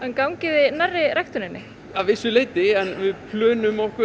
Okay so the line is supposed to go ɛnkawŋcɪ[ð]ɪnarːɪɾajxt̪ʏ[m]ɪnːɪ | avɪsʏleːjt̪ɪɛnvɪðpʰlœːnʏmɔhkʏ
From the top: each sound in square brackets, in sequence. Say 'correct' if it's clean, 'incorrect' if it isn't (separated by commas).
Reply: correct, incorrect